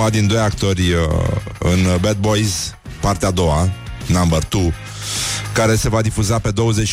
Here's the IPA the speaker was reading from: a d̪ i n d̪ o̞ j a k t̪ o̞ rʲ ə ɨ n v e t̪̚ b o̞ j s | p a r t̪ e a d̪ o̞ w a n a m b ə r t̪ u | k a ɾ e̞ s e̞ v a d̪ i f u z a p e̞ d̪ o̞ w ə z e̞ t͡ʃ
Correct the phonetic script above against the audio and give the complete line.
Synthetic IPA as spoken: a d̪ i n d̪ o̞ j a k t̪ o̞ rʲ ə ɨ n b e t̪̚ b o̞ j z | p a r t̪ e a d̪ o̞ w a n a m b ə r t̪ u | k a ɾ e̞ s e̞ v a d̪ i f u z a p e̞ d̪ o̞ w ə z e̞ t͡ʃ